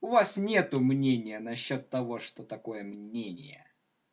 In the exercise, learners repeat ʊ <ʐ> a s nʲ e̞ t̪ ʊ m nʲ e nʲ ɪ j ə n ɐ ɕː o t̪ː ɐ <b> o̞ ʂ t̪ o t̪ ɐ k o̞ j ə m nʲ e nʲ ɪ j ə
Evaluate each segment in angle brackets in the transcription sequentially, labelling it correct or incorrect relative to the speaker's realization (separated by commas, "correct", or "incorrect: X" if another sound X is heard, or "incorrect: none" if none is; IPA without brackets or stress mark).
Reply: incorrect: v, incorrect: v